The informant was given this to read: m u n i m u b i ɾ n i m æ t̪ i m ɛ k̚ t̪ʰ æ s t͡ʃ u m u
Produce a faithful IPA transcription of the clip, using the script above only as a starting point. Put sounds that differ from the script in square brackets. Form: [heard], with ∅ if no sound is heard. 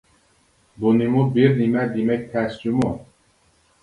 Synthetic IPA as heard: [b] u n i m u b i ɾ n i m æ [d̪] i m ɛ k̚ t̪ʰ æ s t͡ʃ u m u